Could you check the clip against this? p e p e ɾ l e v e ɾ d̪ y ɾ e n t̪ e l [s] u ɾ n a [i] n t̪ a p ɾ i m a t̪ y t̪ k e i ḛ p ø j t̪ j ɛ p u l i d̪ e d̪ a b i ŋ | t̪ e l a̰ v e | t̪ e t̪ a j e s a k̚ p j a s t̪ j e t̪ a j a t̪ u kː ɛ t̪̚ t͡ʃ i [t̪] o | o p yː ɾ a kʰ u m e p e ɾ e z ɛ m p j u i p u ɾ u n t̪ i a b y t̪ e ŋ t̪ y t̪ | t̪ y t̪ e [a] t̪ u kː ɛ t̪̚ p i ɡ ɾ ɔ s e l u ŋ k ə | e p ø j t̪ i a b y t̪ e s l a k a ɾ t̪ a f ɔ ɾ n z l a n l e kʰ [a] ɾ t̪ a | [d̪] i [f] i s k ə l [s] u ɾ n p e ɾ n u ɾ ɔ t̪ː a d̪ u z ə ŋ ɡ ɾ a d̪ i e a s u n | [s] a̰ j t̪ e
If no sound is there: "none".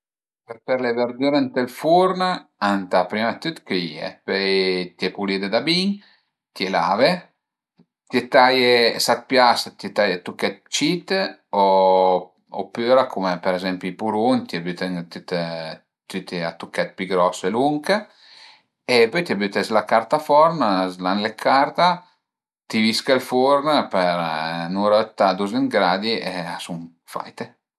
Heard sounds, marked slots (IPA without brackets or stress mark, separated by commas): f, a, t̪, a, a, t̪, v, f, f